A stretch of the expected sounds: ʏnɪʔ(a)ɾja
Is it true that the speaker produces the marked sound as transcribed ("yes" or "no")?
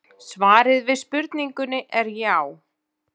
no